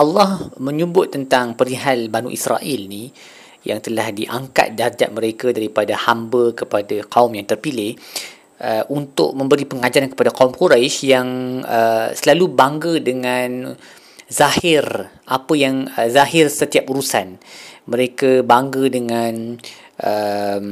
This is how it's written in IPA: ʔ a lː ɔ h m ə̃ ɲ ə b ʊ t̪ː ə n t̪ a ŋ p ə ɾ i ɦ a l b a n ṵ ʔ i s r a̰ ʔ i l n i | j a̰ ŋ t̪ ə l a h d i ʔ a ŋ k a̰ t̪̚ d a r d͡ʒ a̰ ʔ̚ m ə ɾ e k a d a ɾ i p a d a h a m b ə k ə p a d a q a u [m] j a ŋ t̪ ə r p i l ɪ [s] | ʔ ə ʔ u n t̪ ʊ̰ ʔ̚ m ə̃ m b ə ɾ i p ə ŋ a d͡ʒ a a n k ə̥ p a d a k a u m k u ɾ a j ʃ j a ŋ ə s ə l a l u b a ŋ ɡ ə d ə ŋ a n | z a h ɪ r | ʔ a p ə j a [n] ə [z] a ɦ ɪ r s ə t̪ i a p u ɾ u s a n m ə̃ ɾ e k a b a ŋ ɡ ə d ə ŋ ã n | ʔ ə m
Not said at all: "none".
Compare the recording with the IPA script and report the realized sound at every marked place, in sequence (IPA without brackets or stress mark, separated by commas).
m, h, ŋ, z